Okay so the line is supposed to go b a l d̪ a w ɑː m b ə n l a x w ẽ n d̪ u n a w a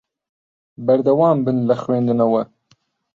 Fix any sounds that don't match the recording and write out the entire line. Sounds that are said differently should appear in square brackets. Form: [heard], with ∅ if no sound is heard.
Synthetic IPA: b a [ɾ] d̪ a w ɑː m b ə n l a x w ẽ n d̪ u n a w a